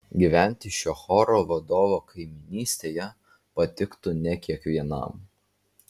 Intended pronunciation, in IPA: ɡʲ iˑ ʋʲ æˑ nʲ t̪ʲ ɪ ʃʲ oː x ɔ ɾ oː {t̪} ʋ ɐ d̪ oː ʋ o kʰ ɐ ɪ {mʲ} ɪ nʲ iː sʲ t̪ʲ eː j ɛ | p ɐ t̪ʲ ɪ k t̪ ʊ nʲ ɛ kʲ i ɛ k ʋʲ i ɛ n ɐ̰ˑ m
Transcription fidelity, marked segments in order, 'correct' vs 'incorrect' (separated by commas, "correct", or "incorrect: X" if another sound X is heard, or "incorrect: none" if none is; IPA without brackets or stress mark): incorrect: none, correct